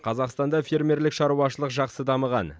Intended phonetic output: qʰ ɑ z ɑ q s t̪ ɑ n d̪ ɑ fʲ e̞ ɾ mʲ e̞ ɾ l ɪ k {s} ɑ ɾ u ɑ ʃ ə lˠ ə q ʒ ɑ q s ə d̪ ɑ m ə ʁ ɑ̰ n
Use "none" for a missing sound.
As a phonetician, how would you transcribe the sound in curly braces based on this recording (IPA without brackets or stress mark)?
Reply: ʃ